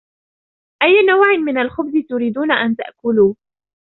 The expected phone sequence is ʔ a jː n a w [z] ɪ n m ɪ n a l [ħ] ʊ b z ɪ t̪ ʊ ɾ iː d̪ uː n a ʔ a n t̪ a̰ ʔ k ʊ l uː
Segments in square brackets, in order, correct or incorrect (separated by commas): incorrect, incorrect